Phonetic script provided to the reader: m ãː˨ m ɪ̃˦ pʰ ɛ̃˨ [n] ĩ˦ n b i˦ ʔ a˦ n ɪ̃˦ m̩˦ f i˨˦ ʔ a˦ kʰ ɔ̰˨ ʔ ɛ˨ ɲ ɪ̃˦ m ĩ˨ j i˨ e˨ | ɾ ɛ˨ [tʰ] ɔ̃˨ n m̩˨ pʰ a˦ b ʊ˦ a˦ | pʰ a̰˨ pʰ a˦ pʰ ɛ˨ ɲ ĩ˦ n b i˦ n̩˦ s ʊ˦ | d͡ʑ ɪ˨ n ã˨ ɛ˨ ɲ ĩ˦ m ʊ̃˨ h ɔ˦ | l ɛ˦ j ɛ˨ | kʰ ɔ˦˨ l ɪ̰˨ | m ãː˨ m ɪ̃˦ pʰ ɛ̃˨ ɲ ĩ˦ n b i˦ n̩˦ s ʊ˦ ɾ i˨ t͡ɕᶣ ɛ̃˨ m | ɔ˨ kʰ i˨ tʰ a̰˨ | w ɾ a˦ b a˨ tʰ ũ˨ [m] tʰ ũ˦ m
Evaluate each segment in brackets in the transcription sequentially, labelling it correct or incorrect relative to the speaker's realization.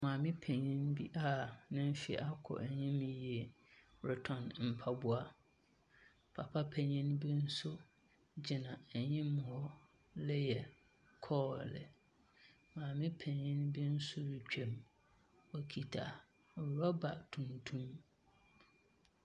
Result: incorrect: ɲ, correct, incorrect: n

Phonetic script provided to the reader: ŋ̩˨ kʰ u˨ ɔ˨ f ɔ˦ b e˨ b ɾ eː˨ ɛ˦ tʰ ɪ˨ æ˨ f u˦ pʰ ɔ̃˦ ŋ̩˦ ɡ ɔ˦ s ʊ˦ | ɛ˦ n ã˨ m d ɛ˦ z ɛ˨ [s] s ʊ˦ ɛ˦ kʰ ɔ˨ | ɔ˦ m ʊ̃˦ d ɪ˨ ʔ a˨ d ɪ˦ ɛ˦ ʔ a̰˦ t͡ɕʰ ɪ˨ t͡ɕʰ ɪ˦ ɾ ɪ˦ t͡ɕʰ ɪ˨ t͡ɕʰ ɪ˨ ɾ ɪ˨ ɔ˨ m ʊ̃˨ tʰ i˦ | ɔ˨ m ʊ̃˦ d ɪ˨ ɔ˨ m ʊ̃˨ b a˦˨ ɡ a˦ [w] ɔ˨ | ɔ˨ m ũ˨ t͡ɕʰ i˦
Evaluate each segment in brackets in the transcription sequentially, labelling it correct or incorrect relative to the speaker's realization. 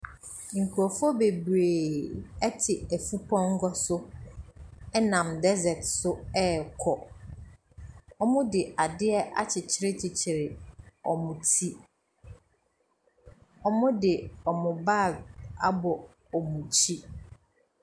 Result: incorrect: t, incorrect: b

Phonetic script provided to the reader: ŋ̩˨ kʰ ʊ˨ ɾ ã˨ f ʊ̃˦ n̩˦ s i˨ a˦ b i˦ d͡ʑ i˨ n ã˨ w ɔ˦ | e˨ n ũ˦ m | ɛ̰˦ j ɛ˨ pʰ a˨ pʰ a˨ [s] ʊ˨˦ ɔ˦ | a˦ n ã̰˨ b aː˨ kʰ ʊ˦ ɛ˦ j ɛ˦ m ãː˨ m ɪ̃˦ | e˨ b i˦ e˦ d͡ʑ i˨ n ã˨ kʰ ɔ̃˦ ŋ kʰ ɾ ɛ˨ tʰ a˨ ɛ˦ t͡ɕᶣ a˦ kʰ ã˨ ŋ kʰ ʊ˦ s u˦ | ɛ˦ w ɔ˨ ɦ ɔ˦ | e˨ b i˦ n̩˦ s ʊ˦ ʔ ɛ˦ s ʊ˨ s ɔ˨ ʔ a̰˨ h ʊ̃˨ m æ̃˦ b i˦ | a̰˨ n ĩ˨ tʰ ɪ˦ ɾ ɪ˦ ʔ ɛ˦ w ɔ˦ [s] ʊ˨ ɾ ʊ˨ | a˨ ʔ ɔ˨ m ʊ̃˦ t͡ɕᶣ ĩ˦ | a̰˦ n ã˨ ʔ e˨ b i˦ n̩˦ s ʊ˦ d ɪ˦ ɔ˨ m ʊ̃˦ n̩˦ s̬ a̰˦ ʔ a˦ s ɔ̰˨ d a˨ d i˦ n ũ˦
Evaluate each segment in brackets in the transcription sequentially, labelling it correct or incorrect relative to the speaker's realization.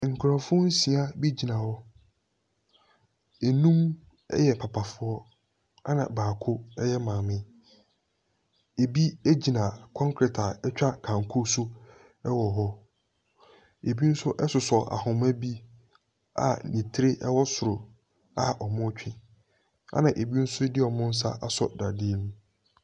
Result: incorrect: f, correct

